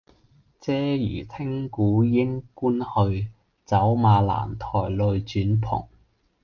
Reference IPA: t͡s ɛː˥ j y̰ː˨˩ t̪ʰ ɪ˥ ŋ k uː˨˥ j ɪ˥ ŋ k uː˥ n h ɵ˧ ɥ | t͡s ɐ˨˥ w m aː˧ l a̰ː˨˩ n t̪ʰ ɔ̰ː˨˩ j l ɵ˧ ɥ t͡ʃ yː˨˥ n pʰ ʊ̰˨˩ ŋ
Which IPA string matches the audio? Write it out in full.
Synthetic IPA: t͡s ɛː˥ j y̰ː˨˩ t̪ʰ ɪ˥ ŋ k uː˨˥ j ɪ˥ ŋ k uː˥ n h ɵ˧ ɥ | t͡s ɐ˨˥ w m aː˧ l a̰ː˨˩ n t̪ʰ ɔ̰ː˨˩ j l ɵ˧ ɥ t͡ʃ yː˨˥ n pʰ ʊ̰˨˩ ŋ